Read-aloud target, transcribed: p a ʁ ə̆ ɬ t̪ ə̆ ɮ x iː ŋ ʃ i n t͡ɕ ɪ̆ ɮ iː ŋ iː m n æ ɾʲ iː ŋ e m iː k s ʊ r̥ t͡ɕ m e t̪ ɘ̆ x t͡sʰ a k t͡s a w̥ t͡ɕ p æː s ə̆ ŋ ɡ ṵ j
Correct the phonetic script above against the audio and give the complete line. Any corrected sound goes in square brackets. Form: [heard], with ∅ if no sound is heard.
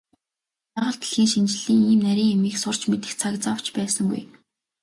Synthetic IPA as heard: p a ʁ ə̆ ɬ t̪ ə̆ ɮ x iː ŋ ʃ i n t͡ɕ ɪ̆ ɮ iː ŋ iː m n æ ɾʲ iː ŋ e m iː k s ʊ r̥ t͡ɕ m e t̪ ɘ̆ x t͡sʰ a k t͡s a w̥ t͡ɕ p æː s ə̆ ŋ ɡ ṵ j